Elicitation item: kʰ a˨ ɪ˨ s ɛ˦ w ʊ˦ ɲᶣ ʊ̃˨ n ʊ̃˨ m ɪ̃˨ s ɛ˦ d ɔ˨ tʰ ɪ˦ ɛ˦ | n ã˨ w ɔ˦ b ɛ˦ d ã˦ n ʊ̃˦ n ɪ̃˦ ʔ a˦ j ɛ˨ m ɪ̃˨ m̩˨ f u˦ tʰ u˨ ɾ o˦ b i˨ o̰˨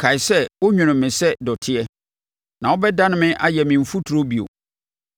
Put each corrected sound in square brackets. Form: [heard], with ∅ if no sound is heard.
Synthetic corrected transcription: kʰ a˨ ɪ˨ s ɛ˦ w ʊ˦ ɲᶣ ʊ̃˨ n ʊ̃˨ m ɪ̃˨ s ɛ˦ d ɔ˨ tʰ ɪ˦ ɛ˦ | n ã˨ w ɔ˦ b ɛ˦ d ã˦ n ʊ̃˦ [m] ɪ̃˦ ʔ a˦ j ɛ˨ m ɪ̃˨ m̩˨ f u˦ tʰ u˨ ɾ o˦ b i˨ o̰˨